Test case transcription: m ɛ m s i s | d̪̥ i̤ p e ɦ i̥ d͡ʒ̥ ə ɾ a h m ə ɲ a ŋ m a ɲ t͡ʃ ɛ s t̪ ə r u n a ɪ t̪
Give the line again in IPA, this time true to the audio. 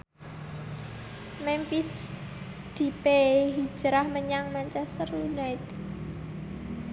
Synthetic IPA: m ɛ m f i s | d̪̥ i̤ p e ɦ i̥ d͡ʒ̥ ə ɾ a h m ə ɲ a ŋ m a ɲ t͡ʃ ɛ s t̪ ə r u n a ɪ t̪